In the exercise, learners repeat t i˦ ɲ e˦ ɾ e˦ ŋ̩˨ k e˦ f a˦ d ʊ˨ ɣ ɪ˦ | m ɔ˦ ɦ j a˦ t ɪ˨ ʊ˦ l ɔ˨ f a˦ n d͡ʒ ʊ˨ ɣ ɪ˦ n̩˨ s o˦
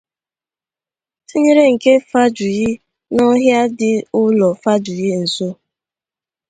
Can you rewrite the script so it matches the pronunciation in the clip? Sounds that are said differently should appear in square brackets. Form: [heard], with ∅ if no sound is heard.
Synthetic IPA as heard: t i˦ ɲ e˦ ɾ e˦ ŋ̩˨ k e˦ f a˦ [d͡ʒ] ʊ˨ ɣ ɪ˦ | [n] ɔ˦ ɦ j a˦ [d] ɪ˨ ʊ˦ l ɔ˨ f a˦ [∅] d͡ʒ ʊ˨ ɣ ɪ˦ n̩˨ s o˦